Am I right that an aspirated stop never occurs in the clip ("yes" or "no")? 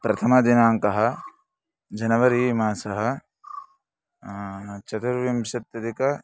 no